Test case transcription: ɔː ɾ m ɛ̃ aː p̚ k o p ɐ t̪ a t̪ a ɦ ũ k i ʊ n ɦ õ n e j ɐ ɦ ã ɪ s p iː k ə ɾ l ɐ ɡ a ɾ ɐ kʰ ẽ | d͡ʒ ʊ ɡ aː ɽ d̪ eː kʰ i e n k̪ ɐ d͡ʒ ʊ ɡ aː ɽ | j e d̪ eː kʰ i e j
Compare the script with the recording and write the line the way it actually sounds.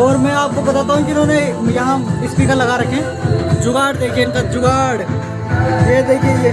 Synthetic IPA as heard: ɔː ɾ m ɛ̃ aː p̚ k o b ɐ t̪ a t̪ a ɦ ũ k i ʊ n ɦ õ n e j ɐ ɦ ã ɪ s p iː k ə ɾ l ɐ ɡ a ɾ ɐ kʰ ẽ | d͡ʒ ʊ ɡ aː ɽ d̪ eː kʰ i e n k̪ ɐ d͡ʒ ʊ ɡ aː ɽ | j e d̪ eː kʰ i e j